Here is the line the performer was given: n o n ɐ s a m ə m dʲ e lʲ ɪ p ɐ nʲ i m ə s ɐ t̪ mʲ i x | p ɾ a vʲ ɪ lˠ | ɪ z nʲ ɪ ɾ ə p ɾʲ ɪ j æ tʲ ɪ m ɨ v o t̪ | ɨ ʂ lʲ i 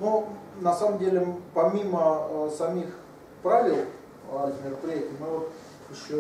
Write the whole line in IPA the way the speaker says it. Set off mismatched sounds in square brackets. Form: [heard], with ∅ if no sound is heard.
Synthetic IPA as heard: n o n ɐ s a m ə m dʲ e lʲ ɪ p ɐ [mʲ] i m ə s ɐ [∅] mʲ i x | p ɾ a vʲ ɪ lˠ | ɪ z [mʲ] ɪ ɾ ə p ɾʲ ɪ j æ tʲ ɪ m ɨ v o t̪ | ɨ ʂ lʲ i